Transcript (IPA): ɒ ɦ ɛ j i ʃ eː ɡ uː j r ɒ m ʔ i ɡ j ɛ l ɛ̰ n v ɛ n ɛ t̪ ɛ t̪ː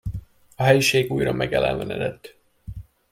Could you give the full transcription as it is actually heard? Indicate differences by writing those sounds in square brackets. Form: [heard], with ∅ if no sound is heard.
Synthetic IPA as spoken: ɒ ɦ ɛ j i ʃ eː ɡ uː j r ɒ m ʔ [ɛ] ɡ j ɛ l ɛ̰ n v ɛ n ɛ [d̪] ɛ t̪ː